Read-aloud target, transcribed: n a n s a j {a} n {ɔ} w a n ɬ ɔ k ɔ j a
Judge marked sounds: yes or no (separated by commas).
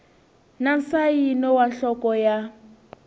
no, yes